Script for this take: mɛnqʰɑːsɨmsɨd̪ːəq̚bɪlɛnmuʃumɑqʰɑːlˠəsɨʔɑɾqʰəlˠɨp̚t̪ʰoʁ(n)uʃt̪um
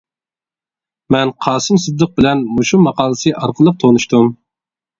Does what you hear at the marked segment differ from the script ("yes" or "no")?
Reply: no